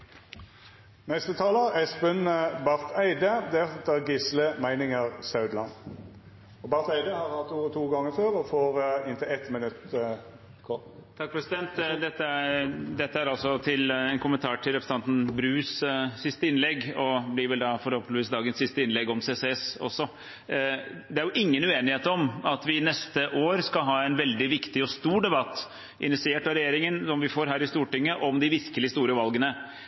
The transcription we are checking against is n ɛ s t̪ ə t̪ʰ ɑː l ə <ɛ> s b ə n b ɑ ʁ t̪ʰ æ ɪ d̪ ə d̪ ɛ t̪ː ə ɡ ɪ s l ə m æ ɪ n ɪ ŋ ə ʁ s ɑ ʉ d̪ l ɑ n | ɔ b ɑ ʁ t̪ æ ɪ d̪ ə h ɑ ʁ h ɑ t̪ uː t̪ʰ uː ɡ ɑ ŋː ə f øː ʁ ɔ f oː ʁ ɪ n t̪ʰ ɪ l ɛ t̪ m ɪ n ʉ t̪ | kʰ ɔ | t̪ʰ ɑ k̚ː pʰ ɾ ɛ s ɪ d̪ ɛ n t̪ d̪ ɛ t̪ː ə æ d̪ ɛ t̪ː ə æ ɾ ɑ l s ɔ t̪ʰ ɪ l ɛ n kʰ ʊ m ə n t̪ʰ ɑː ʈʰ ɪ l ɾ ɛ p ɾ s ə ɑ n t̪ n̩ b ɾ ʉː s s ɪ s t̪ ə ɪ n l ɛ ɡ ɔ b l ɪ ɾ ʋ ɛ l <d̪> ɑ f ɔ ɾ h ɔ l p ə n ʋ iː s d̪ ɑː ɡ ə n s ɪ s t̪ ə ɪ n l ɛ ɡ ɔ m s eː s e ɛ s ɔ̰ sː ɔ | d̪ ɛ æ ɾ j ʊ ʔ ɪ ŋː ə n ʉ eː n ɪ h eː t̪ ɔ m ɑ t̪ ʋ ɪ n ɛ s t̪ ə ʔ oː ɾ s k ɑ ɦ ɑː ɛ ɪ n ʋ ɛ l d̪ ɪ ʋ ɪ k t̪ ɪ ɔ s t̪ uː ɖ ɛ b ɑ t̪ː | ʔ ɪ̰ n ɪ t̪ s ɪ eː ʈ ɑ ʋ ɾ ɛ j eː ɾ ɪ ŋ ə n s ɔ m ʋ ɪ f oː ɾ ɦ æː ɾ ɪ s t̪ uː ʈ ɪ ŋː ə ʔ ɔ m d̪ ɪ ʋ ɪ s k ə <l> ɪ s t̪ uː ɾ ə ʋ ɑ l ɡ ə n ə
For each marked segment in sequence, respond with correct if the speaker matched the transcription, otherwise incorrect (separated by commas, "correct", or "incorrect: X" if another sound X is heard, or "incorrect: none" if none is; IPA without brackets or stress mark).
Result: correct, correct, correct